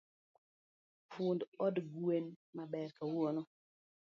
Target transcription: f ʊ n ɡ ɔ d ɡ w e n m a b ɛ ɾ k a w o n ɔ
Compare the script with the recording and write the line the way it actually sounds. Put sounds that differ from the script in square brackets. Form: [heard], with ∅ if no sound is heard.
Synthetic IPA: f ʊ n [d] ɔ d ɡ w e n m a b ɛ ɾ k a w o n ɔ